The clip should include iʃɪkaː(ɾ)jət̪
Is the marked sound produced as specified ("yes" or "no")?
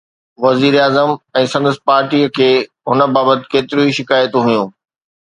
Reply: no